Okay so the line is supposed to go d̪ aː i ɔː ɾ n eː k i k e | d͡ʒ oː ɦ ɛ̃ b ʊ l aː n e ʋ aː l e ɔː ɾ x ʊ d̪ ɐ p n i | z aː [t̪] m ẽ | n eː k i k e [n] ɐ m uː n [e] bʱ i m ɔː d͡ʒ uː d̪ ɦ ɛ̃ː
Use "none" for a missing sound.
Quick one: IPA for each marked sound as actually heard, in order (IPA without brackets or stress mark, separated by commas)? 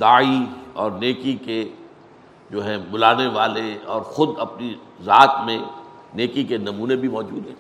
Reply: t̪, n, e